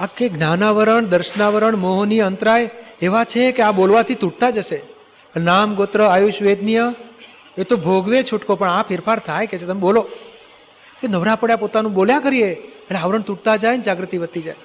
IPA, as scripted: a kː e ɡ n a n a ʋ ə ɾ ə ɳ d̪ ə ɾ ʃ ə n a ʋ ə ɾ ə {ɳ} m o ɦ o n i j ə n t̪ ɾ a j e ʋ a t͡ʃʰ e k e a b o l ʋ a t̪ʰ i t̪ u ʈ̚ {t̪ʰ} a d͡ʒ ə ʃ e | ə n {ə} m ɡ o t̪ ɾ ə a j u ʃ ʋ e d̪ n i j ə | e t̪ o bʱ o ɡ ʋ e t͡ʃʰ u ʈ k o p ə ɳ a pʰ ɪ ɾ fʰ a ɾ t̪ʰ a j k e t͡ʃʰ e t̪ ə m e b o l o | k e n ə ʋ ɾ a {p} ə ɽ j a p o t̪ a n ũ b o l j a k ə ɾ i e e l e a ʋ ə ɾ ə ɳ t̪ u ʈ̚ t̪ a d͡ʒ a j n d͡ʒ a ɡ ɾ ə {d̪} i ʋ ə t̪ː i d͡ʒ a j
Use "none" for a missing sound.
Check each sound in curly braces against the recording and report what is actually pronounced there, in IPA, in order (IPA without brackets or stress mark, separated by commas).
ɳ, t̪, a, p, t̪